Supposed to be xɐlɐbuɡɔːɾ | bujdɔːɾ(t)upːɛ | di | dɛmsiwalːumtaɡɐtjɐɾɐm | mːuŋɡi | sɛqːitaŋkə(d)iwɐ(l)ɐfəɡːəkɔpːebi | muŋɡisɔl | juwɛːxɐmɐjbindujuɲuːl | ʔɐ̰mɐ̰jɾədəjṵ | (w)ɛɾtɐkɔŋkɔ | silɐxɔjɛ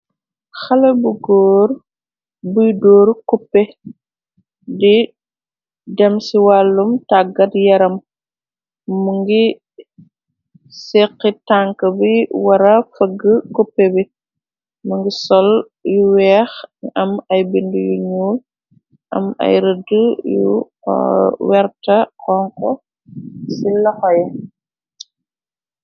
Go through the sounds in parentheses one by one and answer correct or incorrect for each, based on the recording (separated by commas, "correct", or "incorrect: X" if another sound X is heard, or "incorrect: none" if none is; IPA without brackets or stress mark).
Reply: incorrect: k, incorrect: b, incorrect: ɾ, correct